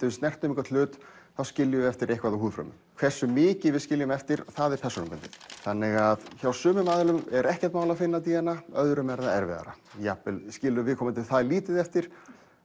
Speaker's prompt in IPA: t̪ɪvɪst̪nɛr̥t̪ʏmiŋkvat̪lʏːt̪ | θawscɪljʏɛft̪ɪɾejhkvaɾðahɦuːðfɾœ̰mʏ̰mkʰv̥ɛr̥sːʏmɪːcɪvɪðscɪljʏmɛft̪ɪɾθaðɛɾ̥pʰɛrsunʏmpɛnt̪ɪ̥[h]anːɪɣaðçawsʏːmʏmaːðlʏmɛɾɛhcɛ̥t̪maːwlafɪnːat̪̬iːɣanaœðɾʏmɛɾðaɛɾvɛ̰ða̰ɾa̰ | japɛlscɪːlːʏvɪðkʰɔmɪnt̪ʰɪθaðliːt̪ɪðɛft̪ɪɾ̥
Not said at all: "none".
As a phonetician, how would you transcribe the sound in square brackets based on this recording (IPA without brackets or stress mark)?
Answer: θ